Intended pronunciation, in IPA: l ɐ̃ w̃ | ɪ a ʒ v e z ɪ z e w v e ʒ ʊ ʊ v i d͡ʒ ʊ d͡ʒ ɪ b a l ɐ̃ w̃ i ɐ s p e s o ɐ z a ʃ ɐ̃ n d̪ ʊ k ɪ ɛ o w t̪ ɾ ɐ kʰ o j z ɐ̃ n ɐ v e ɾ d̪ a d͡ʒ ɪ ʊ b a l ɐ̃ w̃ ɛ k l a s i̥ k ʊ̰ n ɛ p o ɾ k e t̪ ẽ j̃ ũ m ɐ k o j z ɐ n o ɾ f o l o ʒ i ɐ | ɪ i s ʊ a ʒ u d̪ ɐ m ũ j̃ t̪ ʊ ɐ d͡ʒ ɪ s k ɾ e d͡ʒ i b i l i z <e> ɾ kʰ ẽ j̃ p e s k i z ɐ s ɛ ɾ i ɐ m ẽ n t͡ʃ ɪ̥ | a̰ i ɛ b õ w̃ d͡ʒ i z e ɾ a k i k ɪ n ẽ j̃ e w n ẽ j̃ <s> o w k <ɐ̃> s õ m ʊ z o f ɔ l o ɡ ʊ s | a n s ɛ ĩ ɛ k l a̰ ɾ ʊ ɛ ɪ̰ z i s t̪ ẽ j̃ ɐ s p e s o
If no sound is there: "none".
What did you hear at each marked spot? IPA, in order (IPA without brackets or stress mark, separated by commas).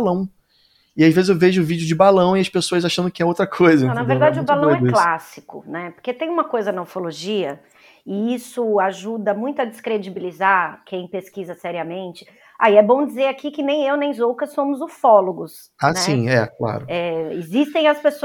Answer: a, z, ɐ